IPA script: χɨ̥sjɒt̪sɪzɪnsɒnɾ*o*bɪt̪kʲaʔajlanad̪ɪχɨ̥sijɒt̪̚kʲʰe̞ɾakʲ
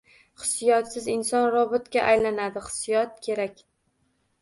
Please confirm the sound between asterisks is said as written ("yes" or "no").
no